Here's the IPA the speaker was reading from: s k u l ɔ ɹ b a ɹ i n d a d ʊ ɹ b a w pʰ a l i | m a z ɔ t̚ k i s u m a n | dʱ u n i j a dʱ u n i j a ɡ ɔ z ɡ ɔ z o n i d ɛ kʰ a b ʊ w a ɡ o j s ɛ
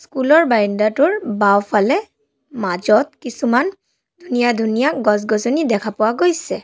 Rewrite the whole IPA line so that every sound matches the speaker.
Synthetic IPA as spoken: s k u l ɔ ɹ b a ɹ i n d a t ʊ ɹ b a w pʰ a l ɛ | m a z ɔ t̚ k i s u m a n | dʱ u n i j a dʱ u n i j a ɡ ɔ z ɡ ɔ z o n i d ɛ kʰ a p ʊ w a ɡ o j s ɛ